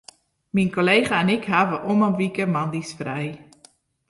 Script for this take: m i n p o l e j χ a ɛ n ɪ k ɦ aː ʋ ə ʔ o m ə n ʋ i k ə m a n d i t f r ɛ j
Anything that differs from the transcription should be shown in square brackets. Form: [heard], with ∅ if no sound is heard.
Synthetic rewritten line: m i n [k] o l e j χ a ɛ n ɪ k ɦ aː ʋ ə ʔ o m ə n ʋ i k ə m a n d i [s] f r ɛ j